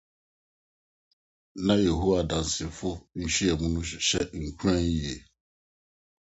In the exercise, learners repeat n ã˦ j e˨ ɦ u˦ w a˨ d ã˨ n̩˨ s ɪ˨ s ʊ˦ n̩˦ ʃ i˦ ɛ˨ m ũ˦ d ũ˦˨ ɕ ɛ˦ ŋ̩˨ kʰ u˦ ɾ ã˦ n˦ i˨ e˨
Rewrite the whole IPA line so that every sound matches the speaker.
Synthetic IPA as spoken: n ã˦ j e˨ ɦ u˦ w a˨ d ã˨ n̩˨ s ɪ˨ f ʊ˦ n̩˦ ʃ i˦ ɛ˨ m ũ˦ n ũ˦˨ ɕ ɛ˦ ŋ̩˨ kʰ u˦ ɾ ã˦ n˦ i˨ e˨